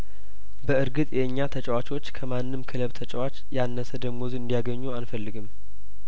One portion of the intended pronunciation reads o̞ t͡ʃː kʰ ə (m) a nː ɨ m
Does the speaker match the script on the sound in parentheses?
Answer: yes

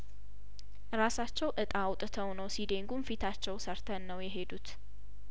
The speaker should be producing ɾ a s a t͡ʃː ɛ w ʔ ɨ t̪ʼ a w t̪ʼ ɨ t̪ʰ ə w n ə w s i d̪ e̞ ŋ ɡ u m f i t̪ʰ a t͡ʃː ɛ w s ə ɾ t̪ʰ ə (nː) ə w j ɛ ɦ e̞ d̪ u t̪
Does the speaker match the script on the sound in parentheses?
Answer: yes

